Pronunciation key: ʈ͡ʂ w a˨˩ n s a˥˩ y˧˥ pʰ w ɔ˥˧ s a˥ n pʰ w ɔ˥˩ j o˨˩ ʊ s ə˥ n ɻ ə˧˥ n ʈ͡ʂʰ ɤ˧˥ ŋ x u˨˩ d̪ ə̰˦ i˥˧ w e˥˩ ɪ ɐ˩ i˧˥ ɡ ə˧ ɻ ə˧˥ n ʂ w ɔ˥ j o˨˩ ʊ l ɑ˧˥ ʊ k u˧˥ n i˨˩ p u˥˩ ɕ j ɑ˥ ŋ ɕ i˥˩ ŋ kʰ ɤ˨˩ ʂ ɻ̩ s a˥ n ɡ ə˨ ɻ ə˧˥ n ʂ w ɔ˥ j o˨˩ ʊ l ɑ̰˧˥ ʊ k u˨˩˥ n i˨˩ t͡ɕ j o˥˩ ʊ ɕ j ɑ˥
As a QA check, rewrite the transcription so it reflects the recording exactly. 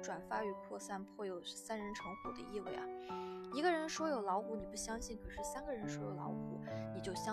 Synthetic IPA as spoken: ʈ͡ʂ w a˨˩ n f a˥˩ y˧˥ pʰ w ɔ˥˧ s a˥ n pʰ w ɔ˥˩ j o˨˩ ʊ s a˥ n ɻ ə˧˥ n ʈ͡ʂʰ ɤ˧˥ ŋ x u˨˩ d̪ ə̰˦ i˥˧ w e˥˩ ɪ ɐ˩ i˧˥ ɡ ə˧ ɻ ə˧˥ n ʂ w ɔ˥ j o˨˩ ʊ l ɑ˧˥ ʊ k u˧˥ n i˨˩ p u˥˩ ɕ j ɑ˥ ŋ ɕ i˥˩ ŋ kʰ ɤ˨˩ ʂ ɻ̩ s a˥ n ɡ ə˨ ɻ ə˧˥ n ʂ w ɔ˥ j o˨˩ ʊ l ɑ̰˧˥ ʊ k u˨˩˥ n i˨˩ t͡ɕ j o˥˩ ʊ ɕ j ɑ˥